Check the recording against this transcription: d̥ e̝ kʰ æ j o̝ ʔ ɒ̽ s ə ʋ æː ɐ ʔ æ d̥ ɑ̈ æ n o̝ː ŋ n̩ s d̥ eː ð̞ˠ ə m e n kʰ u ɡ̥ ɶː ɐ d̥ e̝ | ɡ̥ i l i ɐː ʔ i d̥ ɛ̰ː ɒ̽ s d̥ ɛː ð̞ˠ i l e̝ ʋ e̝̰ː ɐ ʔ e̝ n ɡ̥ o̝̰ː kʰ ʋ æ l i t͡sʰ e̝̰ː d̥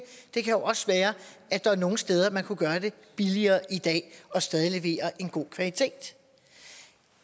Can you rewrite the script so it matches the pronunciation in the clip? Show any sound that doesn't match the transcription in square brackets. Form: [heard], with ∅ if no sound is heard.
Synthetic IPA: d̥ e̝ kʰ æ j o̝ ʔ ɒ̽ s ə ʋ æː ɐ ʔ æ d̥ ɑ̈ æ n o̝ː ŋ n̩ s d̥ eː ð̞ˠ [ɐ] m [æ] n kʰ u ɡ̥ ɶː ɐ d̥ e̝ | [b̥] i l i ɐː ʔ i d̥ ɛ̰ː ɒ̽ s d̥ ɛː ð̞ˠ i l e̝ ʋ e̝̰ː ɐ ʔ e̝ n ɡ̥ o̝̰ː kʰ ʋ æ l i t͡sʰ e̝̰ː d̥

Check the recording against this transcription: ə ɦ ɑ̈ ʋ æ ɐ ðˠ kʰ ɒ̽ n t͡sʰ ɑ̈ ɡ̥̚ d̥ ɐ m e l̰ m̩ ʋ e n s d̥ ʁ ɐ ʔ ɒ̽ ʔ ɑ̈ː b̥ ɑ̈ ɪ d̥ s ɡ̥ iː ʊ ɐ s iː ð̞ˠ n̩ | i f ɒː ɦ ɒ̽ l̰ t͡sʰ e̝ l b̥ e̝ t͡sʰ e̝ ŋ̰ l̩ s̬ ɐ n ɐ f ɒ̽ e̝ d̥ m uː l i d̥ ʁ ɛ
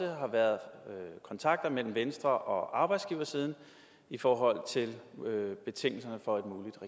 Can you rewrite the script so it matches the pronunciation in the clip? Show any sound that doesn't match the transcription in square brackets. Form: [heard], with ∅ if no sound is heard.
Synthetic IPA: ə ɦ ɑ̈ ʋ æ ɐ ðˠ kʰ ɒ̽ n t͡sʰ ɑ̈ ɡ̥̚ d̥ ɐ m e l̰ m̩ ʋ e n s d̥ ʁ ɐ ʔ ɒ̽ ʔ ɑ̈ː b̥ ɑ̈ ɪ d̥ s ɡ̥ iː ʊ ɐ s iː ð̞ˠ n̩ | i f ɒː ɦ ɒ̽ l̰ t͡sʰ e̝ l b̥ e̝ t͡sʰ e̝ ŋ̰ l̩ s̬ ɐ n [ə] f ɒ̽ e̝ d̥ m uː l i d̥ ʁ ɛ

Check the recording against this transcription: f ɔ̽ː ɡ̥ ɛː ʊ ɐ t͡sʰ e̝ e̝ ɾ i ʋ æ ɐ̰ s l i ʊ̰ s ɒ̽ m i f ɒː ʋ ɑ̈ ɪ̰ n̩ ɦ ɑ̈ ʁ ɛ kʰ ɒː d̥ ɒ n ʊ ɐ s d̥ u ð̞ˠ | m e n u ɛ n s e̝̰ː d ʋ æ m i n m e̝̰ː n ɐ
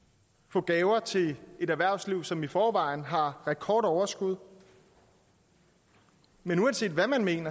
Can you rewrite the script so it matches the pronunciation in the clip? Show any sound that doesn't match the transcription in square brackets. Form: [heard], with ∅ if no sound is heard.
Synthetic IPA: f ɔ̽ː ɡ̥ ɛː ʊ ɐ t͡sʰ e̝ e̝ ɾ [æ] ʋ æ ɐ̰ s l i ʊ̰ s ɒ̽ m i f ɒː ʋ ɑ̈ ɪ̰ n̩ ɦ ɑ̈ ʁ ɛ kʰ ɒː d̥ ɒ [∅] ʊ ɐ s [ɡ̥] u ð̞ˠ | m e n u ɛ n s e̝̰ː d ʋ æ m [æ] n m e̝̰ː n ɐ

